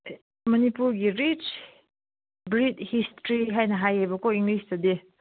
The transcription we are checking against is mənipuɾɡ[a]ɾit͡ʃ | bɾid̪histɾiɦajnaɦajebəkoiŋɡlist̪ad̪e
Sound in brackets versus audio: incorrect: i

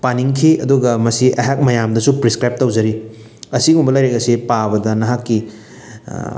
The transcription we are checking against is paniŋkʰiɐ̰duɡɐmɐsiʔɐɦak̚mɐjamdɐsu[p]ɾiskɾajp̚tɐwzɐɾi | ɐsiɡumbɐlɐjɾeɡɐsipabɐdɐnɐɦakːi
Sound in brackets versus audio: correct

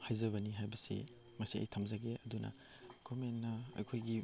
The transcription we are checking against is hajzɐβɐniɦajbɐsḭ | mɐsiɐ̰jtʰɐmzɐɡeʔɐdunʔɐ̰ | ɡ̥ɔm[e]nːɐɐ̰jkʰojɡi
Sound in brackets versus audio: correct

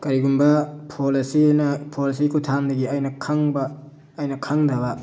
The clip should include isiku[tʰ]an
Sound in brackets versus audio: correct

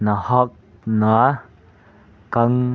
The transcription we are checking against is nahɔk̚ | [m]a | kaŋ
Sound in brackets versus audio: incorrect: n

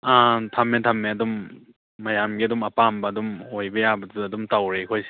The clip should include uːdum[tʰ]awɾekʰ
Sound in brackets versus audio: incorrect: t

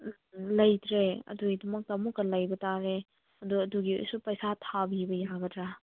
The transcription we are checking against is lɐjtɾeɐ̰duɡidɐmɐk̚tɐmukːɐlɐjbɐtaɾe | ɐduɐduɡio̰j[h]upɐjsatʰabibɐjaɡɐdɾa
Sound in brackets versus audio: incorrect: s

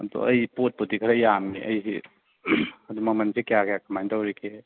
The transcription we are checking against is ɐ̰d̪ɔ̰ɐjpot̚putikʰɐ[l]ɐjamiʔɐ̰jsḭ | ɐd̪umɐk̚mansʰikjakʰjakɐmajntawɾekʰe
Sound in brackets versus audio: incorrect: ɾ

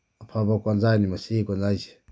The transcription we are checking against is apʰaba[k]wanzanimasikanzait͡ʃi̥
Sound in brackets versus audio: correct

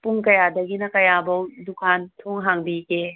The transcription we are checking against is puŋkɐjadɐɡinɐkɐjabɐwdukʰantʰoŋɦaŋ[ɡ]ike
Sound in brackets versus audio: incorrect: b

